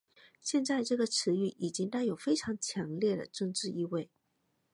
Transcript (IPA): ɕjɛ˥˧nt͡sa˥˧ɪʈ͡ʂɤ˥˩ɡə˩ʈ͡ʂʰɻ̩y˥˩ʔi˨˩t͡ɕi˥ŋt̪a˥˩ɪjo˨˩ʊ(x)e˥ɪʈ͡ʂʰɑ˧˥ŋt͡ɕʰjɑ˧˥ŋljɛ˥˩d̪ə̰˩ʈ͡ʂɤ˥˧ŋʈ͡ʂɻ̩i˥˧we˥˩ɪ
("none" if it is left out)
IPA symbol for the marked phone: f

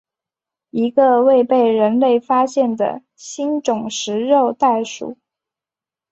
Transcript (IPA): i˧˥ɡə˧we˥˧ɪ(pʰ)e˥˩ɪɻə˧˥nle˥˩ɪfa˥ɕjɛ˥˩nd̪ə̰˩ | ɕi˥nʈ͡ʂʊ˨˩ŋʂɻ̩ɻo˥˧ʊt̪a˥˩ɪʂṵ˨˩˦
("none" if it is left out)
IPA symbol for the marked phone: p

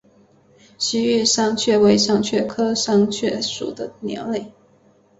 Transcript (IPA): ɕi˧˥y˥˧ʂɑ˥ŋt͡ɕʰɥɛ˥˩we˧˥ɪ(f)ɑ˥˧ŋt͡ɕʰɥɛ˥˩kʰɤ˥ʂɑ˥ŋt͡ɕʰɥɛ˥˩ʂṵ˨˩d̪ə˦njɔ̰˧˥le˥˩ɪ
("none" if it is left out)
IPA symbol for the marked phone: ʂ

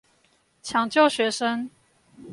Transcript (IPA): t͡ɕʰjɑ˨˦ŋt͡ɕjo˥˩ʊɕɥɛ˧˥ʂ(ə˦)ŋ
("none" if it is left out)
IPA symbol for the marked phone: ə˦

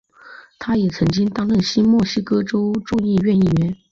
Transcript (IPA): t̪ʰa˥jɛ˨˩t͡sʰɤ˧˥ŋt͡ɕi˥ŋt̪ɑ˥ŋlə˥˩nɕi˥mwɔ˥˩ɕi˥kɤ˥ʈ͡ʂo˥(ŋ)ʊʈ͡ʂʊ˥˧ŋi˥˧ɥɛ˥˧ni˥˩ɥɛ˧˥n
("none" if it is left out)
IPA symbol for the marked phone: none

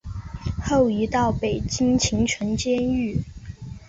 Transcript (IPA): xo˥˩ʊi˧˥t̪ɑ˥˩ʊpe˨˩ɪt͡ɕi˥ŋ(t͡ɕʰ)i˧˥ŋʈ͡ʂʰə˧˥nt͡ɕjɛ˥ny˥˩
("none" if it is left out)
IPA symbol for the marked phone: t͡ɕʰ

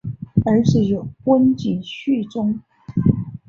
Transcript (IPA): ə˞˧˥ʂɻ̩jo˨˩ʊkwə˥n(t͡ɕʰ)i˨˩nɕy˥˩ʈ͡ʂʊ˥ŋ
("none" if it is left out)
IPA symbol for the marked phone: t͡ɕ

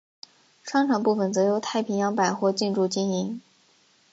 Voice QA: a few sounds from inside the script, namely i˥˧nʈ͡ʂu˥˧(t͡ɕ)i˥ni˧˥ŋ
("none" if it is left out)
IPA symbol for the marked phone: t͡ɕ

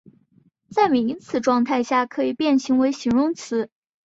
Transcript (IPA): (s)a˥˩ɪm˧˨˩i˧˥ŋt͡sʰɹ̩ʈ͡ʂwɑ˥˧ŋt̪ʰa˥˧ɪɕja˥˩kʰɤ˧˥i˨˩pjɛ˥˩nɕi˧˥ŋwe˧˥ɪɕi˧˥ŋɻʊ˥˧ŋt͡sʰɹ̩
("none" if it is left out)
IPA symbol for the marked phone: t͡s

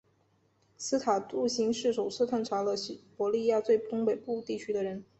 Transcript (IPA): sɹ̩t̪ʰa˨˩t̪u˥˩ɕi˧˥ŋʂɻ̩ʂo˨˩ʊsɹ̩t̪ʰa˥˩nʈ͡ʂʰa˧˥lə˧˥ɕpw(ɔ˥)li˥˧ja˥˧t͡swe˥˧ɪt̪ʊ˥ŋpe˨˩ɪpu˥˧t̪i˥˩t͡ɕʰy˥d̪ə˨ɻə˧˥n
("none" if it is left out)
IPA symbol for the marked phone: ɔ˧˥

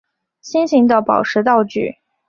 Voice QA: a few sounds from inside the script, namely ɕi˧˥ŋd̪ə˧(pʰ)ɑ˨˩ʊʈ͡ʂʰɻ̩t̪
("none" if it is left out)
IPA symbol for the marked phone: p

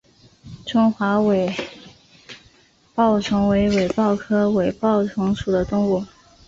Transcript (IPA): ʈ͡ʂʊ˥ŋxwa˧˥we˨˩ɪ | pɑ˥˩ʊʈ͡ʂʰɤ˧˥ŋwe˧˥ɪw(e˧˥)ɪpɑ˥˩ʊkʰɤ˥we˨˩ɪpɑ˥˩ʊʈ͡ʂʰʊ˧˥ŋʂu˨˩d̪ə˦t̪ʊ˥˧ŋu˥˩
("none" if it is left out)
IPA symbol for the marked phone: e˨˩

